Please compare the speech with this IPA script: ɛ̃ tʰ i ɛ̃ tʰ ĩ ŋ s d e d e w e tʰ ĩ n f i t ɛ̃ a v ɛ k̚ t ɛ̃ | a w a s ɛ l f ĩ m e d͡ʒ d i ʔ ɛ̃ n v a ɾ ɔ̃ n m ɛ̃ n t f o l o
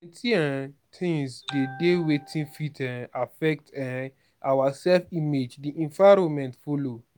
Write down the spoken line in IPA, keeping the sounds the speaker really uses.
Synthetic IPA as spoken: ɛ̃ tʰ i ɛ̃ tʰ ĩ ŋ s d e d e w e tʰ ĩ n f i t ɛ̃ a f ɛ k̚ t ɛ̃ | a w a s ɛ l f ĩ m e d͡ʒ d i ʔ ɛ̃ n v a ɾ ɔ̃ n m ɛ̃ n t f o l o

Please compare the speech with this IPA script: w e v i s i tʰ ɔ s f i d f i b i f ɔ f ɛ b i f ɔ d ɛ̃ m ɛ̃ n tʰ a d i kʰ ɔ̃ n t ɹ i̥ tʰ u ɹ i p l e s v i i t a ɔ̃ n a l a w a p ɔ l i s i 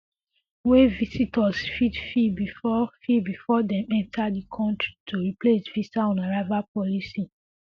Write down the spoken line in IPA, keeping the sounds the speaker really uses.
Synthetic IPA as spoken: w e v i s i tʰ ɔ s f i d f i b i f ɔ f i b i f ɔ d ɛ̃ m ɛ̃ n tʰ a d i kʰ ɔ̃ n t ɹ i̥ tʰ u ɹ i p l e s v i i t a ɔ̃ n a ɹ a v a p ɔ l i s i

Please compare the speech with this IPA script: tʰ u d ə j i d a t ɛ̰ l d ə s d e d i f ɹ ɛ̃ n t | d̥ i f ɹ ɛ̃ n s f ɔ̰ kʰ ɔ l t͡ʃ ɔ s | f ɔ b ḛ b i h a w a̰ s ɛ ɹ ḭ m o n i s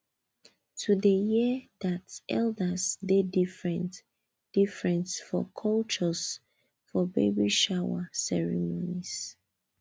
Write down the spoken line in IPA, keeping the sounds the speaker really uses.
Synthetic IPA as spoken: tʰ u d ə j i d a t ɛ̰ l d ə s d e d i f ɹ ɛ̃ n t | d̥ i f ɹ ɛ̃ n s f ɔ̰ kʰ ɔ l t͡ʃ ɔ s | f ɔ b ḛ b i ʃ a w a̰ s ɛ ɹ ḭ m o n i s

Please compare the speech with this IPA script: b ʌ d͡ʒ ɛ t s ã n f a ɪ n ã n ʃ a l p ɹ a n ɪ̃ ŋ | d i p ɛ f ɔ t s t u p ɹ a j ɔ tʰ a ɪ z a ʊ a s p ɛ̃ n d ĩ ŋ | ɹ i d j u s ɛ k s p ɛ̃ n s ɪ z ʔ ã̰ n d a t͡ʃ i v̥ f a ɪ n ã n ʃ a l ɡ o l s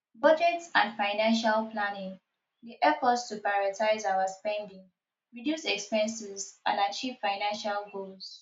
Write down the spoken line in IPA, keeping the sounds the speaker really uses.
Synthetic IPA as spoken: b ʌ d͡ʒ ɛ t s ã n f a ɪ n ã n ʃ a l p l a n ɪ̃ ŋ | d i ʔ ɛ f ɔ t s t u p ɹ a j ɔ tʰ a ɪ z a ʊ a s p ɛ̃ n d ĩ ŋ | ɹ i d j u s ɛ k s p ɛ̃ n s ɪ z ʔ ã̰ n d a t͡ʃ i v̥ f a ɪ n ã n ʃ a l ɡ o l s

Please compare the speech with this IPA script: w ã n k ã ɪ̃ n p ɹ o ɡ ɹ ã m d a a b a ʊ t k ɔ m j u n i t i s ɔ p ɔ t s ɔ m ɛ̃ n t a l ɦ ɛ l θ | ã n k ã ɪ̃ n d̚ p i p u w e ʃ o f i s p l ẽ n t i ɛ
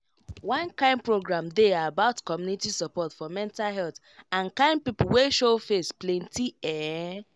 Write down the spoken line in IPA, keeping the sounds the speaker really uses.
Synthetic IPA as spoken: w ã n k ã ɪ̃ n p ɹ o ɡ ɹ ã m d e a b a ʊ t k ɔ m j u n i t i s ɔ p ɔ t f ɔ m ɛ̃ n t a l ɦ ɛ l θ | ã n k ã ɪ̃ n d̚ p i p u w e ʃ o f e s p l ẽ n t i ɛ

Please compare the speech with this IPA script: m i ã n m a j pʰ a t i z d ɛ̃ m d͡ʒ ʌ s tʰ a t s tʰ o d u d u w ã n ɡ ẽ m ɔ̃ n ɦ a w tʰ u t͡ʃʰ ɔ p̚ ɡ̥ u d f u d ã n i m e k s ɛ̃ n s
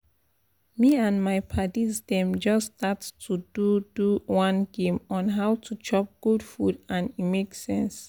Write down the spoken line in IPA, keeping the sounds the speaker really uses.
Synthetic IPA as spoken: m i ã n m a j pʰ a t i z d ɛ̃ m d͡ʒ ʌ s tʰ a t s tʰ u d u d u w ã n ɡ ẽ m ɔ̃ n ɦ a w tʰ u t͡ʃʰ ɔ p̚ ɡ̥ u d f u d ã n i m e k s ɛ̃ n s

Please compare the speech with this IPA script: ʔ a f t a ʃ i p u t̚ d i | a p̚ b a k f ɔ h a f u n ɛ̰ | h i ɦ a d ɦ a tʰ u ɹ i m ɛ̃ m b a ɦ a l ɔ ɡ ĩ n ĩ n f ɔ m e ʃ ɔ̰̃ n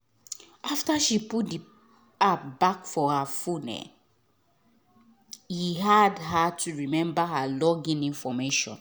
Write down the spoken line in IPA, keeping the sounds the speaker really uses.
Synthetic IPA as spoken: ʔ a f t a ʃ i p u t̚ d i | a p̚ b a k f ɔ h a f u n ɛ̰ | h i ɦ a d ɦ a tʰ u ɹ i m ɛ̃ m b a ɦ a l ɔ ɡ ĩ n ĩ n f ɔ m e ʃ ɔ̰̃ n

